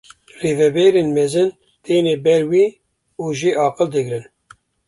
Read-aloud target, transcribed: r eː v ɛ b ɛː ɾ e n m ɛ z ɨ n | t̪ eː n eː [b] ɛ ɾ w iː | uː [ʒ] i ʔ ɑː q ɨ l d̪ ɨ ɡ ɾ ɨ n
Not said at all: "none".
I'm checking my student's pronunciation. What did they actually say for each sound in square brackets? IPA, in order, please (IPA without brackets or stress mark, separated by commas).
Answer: b, ʒ